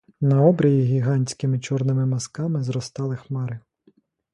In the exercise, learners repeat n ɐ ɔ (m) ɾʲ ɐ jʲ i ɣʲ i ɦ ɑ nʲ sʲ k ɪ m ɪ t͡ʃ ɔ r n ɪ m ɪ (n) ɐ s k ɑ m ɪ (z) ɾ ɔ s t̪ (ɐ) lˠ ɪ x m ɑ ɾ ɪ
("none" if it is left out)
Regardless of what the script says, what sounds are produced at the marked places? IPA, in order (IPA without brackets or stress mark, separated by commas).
b, m, z, ɑ